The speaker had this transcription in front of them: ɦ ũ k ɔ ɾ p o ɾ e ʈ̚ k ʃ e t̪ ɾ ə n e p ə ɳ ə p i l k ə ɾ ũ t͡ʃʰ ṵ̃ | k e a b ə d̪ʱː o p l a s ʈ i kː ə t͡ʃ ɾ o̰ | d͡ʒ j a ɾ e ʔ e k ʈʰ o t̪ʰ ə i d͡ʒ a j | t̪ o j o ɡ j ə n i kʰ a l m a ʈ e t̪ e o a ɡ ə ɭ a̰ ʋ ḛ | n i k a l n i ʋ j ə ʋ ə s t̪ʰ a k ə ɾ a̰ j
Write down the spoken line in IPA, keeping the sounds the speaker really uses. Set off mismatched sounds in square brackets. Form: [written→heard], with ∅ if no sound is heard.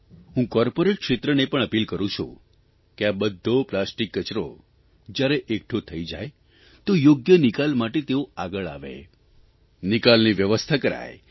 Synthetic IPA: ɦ ũ k ɔ ɾ p o ɾ e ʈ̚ k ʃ e t̪ ɾ ə n e p ə ɳ ə p i l k ə ɾ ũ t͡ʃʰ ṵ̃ | k e a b ə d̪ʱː o p l a s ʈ i kː ə t͡ʃ ɾ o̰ | d͡ʒ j a ɾ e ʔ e k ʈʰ o t̪ʰ ə i d͡ʒ a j | t̪ o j o ɡ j ə n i [kʰ→k] a l m a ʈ e t̪ e o a ɡ ə ɭ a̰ ʋ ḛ | n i k a l n i ʋ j ə ʋ ə s t̪ʰ a k ə ɾ a̰ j